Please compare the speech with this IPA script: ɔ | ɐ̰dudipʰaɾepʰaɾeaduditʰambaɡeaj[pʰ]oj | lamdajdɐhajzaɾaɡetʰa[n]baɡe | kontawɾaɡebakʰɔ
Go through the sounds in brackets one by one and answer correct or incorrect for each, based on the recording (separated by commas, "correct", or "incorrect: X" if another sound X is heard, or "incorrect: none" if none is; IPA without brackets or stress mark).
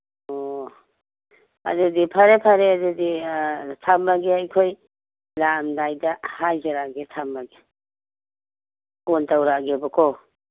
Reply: incorrect: kʰ, incorrect: m